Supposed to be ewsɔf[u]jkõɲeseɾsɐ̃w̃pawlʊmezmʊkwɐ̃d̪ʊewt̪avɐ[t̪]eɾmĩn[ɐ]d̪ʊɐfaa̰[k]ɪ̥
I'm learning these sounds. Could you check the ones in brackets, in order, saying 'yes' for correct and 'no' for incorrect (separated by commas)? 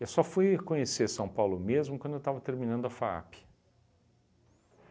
yes, yes, no, no